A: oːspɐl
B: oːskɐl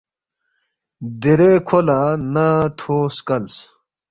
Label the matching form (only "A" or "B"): B